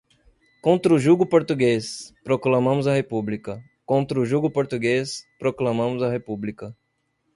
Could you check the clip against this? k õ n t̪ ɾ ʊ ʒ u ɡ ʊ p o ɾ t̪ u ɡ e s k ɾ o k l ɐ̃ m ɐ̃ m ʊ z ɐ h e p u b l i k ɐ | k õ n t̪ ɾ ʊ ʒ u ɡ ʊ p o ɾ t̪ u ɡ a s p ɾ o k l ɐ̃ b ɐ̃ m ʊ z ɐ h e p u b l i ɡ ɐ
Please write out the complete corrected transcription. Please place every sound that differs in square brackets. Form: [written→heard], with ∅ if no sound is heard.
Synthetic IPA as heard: k õ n t̪ ɾ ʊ ʒ u ɡ ʊ p o ɾ t̪ u ɡ e s [k→p] ɾ o k l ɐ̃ m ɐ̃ m ʊ z ɐ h e p u b l i k ɐ | k õ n t̪ ɾ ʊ ʒ u ɡ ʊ p o ɾ t̪ u ɡ [a→e] s p ɾ o k l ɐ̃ [b→m] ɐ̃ m ʊ z ɐ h e p u b l i [ɡ→k] ɐ